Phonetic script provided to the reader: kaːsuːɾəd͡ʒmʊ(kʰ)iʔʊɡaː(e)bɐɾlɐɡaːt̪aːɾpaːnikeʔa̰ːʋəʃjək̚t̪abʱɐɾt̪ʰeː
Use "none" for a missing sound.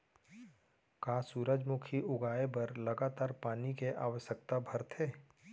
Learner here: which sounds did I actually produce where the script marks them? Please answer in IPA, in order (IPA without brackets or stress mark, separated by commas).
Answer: kʰ, e